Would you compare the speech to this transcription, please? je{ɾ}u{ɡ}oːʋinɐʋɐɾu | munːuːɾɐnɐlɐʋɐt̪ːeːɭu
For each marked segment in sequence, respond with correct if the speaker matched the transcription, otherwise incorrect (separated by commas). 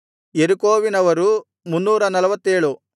correct, incorrect